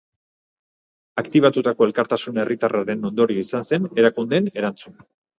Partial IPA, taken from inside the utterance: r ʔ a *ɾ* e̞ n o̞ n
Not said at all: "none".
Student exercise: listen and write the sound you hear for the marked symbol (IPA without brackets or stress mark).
ɾ